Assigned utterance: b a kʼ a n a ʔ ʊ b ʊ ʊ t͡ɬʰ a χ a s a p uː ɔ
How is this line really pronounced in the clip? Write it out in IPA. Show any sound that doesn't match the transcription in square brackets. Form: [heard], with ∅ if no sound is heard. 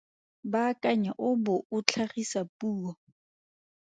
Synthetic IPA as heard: b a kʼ a [ɲ] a ʔ ʊ b ʊ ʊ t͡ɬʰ a χ [i] s a p uː ɔ